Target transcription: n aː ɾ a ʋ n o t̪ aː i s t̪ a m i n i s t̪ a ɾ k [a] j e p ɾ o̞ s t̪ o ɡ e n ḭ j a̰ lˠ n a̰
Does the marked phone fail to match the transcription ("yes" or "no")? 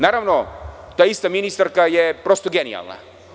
no